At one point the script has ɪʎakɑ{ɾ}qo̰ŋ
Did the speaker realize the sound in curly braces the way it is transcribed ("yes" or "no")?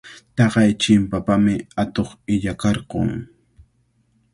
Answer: yes